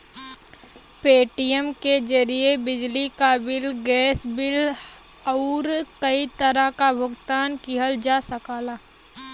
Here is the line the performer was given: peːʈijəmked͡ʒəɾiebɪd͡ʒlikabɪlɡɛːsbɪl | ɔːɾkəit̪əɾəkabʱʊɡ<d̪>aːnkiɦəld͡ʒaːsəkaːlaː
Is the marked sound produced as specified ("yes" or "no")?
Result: no